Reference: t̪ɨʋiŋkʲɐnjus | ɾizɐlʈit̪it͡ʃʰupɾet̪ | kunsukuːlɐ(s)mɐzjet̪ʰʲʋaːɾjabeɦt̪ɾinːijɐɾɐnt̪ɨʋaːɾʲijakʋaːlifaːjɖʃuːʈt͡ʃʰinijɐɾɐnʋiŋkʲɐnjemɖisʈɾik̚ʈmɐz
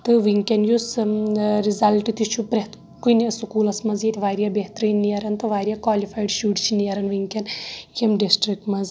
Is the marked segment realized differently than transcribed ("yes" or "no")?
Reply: no